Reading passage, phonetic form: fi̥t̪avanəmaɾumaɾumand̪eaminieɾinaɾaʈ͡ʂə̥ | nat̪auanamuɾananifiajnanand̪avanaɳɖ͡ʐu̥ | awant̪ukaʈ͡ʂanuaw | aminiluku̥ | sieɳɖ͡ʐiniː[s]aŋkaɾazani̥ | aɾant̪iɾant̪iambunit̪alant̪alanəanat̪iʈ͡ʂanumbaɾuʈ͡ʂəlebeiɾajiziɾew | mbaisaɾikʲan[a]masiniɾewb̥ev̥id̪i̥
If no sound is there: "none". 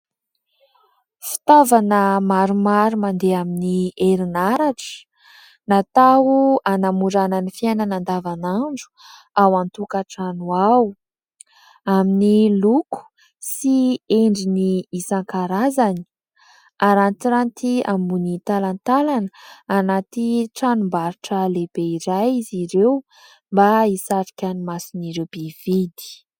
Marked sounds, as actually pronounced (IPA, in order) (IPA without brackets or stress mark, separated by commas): s, i